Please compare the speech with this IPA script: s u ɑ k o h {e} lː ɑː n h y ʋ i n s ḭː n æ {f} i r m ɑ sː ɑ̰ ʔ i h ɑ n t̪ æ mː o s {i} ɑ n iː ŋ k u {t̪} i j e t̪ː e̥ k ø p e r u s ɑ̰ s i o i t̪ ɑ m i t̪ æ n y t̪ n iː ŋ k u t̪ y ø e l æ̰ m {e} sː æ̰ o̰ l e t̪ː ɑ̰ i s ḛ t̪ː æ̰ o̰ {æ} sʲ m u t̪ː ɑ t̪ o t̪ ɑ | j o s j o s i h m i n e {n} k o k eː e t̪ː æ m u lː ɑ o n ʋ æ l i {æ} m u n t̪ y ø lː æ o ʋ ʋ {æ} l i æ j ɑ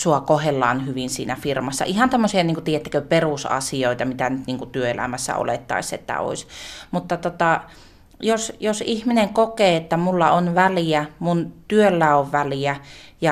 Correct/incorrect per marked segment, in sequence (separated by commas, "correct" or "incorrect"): correct, correct, correct, correct, incorrect, incorrect, incorrect, correct, correct